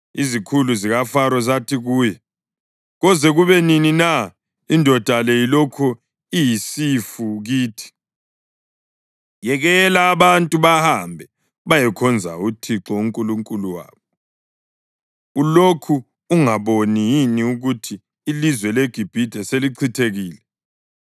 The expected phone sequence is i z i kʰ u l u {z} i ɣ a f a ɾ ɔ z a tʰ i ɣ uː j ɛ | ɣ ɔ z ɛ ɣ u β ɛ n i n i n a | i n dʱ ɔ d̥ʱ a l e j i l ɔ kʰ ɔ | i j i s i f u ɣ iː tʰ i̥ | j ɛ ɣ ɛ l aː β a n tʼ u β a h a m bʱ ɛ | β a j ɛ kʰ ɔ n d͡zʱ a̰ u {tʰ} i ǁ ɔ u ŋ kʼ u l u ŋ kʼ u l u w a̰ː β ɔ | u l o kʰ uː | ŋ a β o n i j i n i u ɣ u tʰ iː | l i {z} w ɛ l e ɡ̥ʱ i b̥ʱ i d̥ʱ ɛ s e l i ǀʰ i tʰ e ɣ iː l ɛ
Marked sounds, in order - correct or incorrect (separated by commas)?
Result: correct, correct, correct